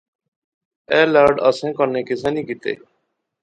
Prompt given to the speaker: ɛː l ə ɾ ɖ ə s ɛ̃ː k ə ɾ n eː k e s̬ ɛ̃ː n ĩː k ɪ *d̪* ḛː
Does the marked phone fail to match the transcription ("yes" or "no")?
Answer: yes